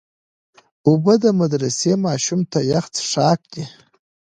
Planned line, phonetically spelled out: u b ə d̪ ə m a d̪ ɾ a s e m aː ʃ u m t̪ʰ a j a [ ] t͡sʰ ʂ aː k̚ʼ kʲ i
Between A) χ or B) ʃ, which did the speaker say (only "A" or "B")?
A